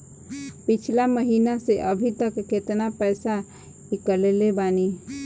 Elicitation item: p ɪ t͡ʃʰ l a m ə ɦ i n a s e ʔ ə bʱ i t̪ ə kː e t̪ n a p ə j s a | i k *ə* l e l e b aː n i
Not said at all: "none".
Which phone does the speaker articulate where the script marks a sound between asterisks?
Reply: ə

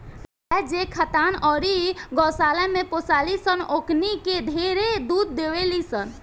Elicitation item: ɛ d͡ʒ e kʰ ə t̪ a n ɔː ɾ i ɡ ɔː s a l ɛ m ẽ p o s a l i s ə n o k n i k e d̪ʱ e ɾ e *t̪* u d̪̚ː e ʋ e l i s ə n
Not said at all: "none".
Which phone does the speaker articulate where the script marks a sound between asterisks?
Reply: d̪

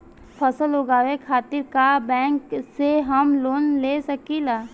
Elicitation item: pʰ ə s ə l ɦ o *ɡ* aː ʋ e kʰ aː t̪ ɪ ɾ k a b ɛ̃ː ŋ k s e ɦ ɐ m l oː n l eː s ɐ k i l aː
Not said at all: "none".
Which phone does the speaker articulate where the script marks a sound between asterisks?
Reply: ɡ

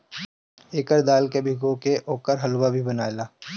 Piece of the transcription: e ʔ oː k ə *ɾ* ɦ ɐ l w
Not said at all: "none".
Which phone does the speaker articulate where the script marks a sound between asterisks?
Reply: ɾ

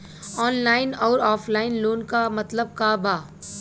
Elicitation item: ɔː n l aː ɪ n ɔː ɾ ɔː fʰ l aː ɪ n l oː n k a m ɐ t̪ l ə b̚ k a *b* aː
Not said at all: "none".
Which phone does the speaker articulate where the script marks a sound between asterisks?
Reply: b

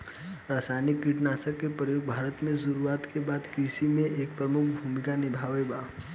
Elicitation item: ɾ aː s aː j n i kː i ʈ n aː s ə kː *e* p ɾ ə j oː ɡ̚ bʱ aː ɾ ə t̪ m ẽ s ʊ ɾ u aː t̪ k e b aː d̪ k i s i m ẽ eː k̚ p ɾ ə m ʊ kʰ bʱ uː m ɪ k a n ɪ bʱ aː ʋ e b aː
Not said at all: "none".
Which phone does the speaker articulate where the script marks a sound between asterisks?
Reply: e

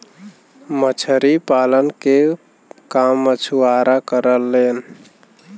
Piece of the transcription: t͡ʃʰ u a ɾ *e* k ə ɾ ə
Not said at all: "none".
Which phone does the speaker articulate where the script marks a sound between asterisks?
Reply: a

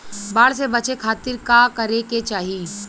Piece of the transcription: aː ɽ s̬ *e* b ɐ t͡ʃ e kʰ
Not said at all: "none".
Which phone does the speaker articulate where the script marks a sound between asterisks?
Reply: e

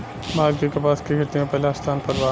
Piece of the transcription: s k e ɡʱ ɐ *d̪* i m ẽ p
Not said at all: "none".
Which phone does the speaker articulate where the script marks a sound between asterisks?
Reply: t̪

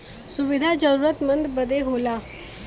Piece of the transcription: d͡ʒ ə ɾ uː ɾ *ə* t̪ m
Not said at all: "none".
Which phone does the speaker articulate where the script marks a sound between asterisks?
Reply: ə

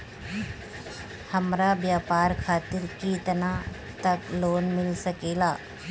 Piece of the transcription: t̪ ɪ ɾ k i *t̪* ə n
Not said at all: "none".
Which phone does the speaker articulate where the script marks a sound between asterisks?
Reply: t̪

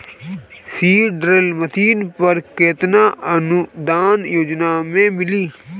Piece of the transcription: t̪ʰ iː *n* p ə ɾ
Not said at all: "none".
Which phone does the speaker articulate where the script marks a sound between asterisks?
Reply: n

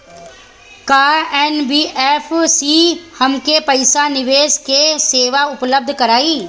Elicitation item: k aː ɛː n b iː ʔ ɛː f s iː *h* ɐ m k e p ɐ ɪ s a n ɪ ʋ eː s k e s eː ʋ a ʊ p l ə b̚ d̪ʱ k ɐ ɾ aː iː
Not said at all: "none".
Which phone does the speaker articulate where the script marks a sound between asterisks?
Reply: h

